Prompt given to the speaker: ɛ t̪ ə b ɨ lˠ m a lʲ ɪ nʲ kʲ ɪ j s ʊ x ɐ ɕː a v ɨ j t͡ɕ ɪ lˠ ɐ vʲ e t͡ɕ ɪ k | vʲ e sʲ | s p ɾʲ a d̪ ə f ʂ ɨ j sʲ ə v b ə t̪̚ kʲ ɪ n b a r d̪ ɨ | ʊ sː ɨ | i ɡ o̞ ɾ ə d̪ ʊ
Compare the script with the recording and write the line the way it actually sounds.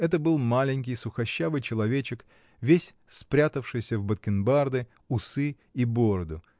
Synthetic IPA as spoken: ɛ t̪ ə b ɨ lˠ m a lʲ ɪ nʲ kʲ ɪ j s ʊ x ɐ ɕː a v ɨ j t͡ɕ ɪ lˠ ɐ vʲ e t͡ɕ ɪ k | vʲ e sʲ | s p ɾʲ a t̪ ə f ʂ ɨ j sʲ ə v b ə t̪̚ kʲ ɪ n b a r d̪ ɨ | ʊ s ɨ | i b o̞ ɾ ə d̪ ʊ